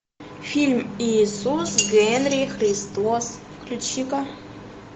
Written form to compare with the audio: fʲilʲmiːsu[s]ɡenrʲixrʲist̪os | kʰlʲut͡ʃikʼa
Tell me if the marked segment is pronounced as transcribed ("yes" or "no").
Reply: yes